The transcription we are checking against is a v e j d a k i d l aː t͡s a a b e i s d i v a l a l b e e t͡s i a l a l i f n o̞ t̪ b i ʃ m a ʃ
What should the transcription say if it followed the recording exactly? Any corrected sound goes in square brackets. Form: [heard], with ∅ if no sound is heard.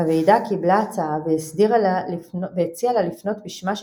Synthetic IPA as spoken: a v e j d a k i [b] l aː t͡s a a [v] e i s d i [ʁ] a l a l [v] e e t͡s i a l a l i f n o̞ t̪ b i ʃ m a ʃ